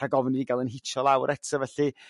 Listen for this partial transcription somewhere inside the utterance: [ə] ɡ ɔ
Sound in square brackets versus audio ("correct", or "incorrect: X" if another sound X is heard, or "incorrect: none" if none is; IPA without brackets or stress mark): incorrect: a